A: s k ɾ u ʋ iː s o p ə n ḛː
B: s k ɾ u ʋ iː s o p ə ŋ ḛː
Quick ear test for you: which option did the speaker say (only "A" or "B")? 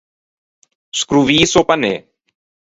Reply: A